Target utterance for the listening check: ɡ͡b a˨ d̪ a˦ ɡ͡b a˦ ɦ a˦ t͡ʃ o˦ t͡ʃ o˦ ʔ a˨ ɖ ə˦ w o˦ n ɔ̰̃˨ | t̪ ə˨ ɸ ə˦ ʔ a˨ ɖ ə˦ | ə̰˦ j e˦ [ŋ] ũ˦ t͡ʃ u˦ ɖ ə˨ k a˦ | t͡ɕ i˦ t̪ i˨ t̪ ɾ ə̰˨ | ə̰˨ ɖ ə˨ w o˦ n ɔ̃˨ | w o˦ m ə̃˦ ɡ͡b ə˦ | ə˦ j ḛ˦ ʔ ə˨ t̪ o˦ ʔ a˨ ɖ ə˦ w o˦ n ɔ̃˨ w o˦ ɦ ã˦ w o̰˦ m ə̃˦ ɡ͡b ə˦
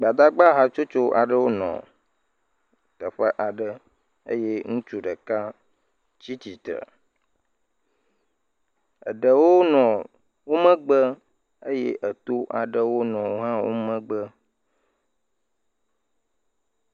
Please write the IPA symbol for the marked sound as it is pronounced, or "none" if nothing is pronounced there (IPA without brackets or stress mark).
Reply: ŋ